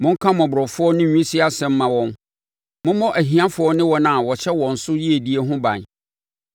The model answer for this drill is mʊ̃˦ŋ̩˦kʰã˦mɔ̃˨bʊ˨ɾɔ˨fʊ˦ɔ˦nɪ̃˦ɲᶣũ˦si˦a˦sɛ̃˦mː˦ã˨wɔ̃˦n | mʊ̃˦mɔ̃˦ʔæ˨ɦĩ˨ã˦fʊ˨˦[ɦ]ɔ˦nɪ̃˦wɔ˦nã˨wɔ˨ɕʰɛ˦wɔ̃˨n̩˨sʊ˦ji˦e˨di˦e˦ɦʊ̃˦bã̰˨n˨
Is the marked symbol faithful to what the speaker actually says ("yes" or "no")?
no